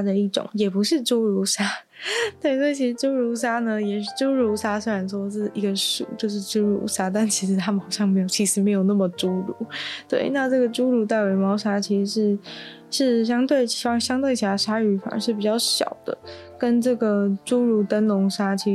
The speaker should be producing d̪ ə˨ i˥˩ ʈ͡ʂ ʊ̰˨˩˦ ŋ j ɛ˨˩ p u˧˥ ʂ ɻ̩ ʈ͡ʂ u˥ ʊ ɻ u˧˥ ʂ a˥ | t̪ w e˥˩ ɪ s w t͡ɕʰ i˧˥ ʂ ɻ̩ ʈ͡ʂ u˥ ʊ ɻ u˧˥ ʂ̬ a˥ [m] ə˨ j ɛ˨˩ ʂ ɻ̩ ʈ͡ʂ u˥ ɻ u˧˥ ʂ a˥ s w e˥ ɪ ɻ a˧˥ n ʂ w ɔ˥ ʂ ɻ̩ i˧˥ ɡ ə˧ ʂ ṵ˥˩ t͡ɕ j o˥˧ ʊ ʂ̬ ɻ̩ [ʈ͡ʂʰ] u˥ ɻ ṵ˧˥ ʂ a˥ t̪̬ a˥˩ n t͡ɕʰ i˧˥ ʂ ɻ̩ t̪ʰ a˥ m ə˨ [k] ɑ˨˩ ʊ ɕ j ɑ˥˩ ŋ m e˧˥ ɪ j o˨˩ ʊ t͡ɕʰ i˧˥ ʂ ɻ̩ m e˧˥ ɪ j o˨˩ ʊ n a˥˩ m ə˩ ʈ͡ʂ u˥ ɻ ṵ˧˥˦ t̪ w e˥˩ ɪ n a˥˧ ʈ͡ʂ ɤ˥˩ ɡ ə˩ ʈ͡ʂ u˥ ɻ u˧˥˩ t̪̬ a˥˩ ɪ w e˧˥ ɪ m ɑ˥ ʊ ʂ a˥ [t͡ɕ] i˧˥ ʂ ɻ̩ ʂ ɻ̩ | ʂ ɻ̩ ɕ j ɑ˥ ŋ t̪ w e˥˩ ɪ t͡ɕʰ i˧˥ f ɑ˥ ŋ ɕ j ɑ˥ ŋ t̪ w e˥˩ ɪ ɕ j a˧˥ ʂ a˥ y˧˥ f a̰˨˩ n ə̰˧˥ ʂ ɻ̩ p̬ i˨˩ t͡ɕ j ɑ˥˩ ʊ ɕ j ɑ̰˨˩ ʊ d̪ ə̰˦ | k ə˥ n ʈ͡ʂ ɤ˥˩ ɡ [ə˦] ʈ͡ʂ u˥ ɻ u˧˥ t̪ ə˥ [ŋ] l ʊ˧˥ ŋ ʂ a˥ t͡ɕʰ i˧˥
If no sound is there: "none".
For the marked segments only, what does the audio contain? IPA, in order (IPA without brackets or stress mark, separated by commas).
n, ʈ͡ʂ, x, t͡ɕʰ, ə˩, n